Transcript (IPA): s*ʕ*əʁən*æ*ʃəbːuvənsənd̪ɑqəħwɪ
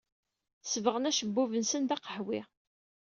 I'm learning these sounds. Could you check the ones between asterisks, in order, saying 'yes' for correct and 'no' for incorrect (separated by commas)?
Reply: no, yes